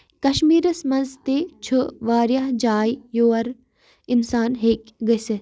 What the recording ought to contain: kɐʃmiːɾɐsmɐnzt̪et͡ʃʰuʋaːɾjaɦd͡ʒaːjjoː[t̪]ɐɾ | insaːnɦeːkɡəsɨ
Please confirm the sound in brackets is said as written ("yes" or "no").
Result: no